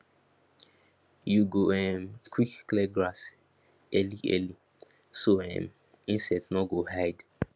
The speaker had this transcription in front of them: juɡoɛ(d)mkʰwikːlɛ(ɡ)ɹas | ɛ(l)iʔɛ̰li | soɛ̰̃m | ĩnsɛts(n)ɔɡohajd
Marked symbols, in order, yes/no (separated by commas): no, yes, yes, yes